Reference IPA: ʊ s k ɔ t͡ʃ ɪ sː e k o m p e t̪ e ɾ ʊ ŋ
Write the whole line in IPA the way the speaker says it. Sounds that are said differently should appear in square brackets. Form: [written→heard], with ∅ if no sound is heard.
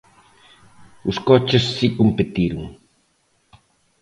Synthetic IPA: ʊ s k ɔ t͡ʃ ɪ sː [e→i] k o m p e t̪ [e→i] ɾ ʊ ŋ

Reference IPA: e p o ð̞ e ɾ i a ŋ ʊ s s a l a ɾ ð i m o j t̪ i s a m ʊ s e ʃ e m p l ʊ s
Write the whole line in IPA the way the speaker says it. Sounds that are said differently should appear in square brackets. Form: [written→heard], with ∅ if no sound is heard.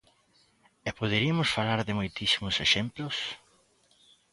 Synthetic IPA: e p o ð̞ e ɾ i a [ŋ→m] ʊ s [s→f] a l a ɾ ð [i→ɪ] m o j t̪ i s [a→i] m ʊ s e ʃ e m p l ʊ s

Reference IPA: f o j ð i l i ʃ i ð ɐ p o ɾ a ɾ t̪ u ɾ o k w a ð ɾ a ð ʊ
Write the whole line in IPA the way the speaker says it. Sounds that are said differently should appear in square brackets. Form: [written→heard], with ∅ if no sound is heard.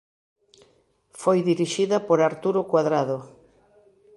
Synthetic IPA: f o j ð i [l→ɾ] i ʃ i ð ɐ p o ɾ a ɾ t̪ u ɾ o k w a ð ɾ a ð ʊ

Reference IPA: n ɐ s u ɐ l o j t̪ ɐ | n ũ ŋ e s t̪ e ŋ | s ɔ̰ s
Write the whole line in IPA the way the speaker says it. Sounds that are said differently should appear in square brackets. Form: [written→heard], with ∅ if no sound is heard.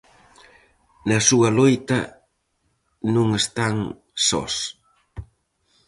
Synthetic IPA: n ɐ s u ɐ l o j t̪ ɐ | n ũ ŋ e s t̪ [e→a] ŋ | s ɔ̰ s

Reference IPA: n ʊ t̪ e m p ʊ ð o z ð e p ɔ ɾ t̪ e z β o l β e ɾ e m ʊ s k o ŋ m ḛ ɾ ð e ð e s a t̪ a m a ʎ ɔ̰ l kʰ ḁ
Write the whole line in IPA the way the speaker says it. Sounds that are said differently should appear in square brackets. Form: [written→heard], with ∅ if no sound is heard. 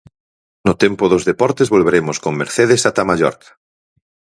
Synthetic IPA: n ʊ t̪ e m p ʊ ð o z ð e p ɔ ɾ t̪ e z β o l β e ɾ e m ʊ s k o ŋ m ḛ ɾ [ð→θ] e ð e s a t̪ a m a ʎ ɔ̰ [l→ɾ] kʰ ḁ

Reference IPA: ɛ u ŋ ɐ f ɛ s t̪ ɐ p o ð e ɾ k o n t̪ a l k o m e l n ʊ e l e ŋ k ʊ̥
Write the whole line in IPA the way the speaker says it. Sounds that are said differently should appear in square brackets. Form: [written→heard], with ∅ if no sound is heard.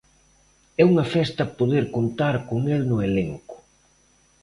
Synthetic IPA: ɛ u ŋ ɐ f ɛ s t̪ ɐ p o ð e ɾ k o n t̪ a [l→ɾ] k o [m→ŋ] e l n ʊ e l e ŋ k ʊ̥

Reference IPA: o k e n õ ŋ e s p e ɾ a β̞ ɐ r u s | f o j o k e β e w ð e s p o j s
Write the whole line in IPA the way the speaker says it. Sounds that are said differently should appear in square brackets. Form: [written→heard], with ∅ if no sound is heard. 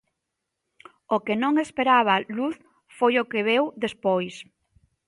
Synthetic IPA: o k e n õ ŋ e s p e ɾ a β̞ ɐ [r→l] u [s→θ] | f o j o k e β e w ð e s p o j s

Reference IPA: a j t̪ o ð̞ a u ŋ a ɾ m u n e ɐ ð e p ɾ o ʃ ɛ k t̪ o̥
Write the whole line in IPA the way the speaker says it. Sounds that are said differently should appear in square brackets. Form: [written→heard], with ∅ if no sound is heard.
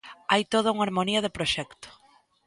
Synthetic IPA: a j t̪ o ð̞ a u ŋ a ɾ m [u→o] n [e→i] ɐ ð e p ɾ o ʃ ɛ k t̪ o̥

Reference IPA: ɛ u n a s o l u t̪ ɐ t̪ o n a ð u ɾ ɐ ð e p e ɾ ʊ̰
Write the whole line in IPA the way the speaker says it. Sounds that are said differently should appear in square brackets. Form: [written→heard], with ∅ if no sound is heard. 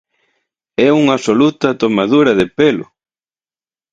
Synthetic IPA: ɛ u [n→ŋ] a s o l u t̪ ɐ t̪ o [n→m] a ð u ɾ ɐ ð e p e [ɾ→l] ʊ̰

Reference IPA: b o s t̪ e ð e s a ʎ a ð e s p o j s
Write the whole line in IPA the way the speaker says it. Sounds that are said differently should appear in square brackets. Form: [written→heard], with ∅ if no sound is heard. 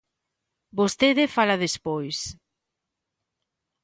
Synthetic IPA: b o s t̪ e ð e [s→f] a [ʎ→l] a ð e s p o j s

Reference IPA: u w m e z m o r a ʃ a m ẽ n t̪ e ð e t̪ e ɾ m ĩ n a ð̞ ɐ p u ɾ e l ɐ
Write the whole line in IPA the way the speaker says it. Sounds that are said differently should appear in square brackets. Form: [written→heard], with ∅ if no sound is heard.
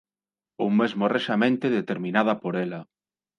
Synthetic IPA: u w m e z m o r [a→e] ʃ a m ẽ n t̪ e ð e t̪ e ɾ m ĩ n a ð̞ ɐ p [u→o] ɾ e l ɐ

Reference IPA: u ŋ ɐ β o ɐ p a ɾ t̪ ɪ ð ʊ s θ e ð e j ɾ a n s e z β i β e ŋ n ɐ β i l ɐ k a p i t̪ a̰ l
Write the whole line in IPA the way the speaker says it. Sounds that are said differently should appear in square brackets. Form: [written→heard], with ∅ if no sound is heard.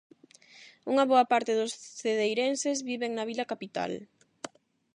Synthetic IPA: u ŋ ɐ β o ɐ p a ɾ t̪ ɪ ð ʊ s θ e ð e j ɾ [a→e] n s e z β i β e ŋ n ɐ β i l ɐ k a p i t̪ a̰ l

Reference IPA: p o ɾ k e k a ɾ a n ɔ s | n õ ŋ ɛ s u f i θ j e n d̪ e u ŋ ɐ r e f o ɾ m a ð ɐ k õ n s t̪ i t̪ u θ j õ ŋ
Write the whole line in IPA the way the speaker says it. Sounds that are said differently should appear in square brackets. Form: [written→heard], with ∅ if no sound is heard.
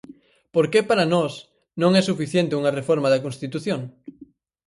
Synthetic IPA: p o ɾ k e [k→p] a ɾ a n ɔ s | n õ ŋ ɛ s u f i θ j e n [d̪→t̪] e u ŋ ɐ r e f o ɾ m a ð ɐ k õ n s t̪ i t̪ u θ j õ ŋ

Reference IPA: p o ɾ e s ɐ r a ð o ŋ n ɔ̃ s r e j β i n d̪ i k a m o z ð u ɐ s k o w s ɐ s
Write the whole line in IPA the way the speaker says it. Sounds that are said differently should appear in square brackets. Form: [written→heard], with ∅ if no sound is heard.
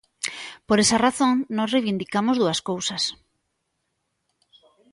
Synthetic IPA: p o ɾ e s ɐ r a [ð→θ] o ŋ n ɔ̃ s r e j β i n d̪ i k a m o z ð u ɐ s k o w s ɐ s

